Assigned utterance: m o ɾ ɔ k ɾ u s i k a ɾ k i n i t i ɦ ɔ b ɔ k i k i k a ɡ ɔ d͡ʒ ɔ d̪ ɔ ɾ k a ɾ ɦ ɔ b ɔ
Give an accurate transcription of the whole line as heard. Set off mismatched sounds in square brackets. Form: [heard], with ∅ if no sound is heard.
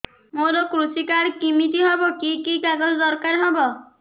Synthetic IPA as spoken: m o ɾ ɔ k ɾ u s i k a ɾ k i [m] i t i ɦ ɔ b ɔ k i k i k a ɡ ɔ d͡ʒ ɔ d̪ ɔ ɾ k a ɾ ɦ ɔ b ɔ